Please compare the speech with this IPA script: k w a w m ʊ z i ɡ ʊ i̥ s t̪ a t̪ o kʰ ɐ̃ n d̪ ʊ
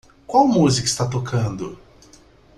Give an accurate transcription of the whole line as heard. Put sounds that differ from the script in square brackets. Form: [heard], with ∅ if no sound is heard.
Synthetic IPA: k w a w m [u] z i [k] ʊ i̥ s t̪ a t̪ o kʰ ɐ̃ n d̪ ʊ